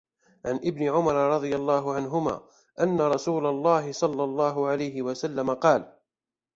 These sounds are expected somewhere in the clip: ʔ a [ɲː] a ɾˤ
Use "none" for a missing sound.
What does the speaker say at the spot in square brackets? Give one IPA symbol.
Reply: nː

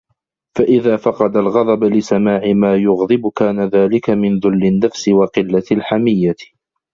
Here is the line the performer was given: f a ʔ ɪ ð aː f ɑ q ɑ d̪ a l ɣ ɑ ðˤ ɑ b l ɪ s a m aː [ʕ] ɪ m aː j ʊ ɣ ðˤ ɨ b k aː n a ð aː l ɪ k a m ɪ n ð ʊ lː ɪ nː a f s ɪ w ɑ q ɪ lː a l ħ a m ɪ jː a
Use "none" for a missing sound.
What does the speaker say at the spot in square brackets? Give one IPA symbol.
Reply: ʕ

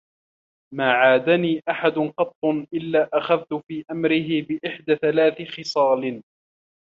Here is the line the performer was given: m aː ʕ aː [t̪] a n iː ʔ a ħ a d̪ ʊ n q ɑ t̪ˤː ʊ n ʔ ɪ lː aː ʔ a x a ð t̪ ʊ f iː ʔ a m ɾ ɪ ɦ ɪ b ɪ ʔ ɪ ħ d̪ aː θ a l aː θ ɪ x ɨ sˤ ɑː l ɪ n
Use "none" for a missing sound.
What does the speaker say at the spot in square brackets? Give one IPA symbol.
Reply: d̪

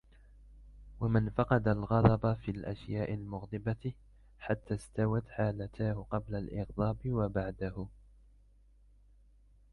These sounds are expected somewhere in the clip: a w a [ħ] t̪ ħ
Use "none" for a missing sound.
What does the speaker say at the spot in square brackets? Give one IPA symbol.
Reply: none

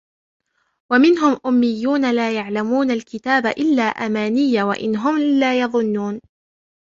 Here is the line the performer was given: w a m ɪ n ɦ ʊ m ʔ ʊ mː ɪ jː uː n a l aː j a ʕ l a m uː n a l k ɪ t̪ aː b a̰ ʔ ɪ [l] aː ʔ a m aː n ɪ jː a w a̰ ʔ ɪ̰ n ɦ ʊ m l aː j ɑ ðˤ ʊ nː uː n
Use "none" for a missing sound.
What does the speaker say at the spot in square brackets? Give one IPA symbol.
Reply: lː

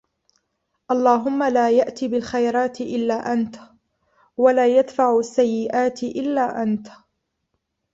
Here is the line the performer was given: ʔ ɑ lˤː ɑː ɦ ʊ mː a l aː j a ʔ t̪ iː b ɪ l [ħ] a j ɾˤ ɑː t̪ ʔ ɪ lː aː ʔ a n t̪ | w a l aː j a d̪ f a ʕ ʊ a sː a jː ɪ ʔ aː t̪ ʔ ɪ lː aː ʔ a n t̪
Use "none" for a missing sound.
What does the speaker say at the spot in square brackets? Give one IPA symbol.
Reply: x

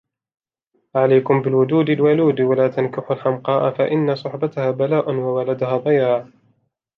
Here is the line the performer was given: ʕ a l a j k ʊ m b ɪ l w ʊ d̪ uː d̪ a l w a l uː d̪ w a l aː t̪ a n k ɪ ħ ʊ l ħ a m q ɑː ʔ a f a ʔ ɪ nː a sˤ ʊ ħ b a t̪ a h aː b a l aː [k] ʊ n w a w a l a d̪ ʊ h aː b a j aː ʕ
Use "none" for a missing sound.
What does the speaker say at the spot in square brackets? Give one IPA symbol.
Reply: ʔ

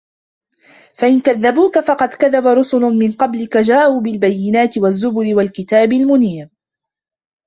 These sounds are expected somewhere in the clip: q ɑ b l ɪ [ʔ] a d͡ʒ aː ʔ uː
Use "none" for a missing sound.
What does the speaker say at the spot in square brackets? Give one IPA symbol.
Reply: k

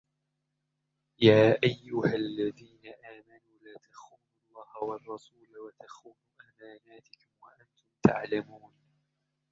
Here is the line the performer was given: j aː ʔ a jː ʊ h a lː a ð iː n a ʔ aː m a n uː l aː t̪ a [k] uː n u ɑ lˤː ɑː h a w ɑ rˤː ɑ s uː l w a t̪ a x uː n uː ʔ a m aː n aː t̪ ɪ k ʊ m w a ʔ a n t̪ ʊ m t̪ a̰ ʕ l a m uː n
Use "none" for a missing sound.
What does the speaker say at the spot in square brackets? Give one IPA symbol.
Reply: x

